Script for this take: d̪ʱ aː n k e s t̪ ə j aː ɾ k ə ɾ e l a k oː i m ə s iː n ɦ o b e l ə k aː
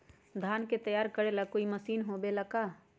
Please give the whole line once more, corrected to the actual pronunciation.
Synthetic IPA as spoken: d̪ʱ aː n k e t̪ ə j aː ɾ k ə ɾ e l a k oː i m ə s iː n ɦ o b e l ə k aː